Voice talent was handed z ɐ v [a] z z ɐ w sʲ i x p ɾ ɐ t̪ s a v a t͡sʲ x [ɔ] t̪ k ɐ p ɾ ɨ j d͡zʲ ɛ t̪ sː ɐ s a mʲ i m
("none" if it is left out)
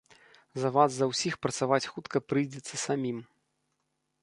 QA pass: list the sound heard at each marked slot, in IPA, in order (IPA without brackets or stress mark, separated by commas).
a, u